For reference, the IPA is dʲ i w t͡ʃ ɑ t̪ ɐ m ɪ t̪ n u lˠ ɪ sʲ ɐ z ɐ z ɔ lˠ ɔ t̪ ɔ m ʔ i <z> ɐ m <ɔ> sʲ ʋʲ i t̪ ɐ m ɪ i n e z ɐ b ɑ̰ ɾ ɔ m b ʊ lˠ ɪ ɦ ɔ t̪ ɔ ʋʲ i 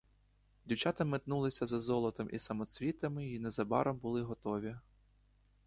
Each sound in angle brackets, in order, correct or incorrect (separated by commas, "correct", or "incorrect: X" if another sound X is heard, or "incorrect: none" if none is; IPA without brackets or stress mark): incorrect: s, correct